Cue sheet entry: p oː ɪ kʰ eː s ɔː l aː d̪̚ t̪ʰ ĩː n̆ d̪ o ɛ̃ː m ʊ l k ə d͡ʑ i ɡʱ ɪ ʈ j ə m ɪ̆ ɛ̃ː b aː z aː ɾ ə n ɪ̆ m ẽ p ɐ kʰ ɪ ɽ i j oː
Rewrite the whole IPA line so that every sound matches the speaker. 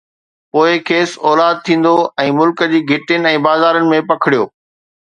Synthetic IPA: p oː ɪ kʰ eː s ɔː l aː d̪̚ t̪ʰ ĩː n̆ d̪ o ɛ̃ː m ʊ l k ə d͡ʑ iː ɡʱ ɪ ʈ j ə n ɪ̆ ɛ̃ː b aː z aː ɾ ə n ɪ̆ m ẽ p ɐ kʰ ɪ ɽ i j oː